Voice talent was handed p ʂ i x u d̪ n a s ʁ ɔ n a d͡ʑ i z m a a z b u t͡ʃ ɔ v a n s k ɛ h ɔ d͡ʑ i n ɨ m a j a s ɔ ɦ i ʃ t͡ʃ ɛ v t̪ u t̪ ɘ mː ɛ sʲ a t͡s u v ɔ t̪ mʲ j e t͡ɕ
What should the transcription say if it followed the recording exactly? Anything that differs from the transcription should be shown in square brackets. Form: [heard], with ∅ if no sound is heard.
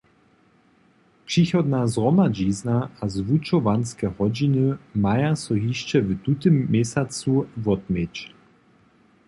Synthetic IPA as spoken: p ʂ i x [ɔ] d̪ n a [z] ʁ ɔ [m] a d͡ʑ i z [n] a a z [v] u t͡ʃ ɔ v a n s k ɛ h ɔ d͡ʑ i n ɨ m a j a s ɔ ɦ i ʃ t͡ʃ ɛ v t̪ u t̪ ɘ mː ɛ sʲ a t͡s u v ɔ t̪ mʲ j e t͡ɕ